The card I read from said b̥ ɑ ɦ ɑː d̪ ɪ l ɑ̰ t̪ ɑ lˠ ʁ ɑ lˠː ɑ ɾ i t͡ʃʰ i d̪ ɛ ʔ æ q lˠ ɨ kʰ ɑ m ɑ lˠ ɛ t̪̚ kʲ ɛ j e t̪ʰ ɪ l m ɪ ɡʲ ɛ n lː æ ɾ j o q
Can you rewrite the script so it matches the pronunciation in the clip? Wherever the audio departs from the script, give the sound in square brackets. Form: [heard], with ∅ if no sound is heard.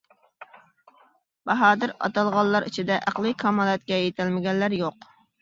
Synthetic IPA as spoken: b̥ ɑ ɦ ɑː d̪ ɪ [ɾ] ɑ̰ t̪ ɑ lˠ ʁ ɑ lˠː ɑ ɾ i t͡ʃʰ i d̪ ɛ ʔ æ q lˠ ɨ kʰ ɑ m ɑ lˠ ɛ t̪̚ kʲ ɛ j e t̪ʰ ɪ l m ɪ ɡʲ ɛ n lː æ ɾ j o q